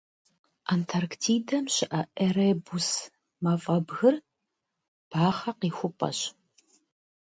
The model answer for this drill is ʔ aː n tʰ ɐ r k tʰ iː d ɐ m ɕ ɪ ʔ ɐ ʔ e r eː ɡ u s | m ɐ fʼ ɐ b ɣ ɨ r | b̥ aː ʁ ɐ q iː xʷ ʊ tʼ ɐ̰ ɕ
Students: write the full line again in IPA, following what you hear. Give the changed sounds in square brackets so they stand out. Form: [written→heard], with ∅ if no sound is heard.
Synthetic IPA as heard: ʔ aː n tʰ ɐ r k tʰ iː d ɐ m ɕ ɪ ʔ ɐ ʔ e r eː [ɡ→b] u s | m ɐ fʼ ɐ b ɣ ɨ r | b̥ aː [ʁ→χ] ɐ q iː xʷ ʊ [tʼ→pʼ] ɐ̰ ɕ